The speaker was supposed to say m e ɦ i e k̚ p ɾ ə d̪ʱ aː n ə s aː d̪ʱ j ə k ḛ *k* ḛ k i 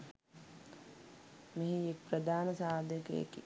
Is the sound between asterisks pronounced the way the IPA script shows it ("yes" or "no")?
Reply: no